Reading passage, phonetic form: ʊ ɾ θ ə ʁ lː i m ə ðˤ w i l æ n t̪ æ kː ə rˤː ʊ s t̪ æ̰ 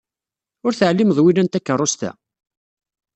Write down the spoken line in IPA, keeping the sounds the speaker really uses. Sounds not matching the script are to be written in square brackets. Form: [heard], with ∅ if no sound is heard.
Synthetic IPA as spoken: ʊ ɾ θ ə [ʕ] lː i m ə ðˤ w i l æ n t̪ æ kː ə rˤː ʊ s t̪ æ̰